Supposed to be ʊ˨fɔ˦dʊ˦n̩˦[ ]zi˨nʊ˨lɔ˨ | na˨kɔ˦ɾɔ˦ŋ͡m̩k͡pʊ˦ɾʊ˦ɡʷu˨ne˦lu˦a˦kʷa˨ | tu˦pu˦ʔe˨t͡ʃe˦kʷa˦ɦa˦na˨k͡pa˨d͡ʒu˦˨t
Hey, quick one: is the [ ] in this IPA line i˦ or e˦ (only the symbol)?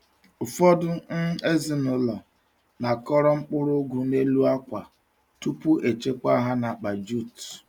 e˦